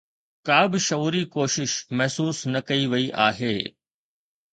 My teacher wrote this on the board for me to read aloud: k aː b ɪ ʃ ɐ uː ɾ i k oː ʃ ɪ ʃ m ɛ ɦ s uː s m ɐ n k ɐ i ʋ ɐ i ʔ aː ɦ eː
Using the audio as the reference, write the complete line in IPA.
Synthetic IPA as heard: k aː b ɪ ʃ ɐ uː ɾ i k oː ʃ ɪ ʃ m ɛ ɦ s uː s n ɐ k ɐ i ʋ ɐ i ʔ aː ɦ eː